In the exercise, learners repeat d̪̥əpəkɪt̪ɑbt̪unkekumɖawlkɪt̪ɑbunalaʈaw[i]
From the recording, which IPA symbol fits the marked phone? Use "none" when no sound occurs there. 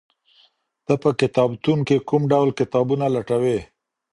e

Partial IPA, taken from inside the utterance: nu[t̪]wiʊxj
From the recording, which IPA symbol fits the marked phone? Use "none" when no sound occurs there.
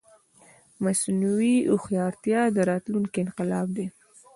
none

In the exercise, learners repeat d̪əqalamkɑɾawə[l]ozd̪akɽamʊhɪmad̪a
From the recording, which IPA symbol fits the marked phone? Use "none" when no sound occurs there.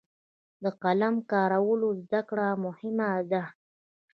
l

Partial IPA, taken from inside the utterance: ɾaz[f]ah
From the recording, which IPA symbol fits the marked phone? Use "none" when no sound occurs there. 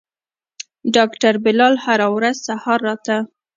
s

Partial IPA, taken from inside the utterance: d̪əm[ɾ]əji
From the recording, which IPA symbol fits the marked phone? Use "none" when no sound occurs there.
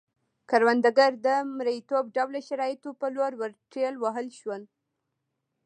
ɾ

